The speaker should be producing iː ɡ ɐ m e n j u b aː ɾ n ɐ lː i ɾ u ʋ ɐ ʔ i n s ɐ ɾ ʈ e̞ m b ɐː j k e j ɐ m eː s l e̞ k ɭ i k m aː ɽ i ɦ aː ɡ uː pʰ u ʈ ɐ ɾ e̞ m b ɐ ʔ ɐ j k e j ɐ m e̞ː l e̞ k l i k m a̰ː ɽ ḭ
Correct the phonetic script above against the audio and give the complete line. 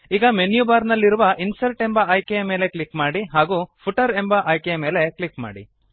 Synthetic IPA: iː ɡ ɐ m e n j u b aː ɾ n ɐ lː i ɾ u ʋ ɐ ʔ i n s ɐ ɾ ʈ e̞ m b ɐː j k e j ɐ m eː l e̞ k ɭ i k m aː ɽ i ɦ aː ɡ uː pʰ u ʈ ɐ ɾ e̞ m b ɐ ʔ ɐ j k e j ɐ m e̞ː l e̞ k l i k m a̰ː ɽ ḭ